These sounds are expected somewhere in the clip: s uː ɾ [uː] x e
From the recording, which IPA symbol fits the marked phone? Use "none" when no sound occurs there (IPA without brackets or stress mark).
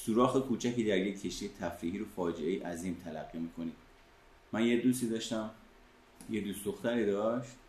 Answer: ɒː